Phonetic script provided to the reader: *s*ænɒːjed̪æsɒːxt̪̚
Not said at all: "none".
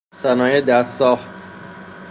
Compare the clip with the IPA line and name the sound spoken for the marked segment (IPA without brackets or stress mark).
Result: s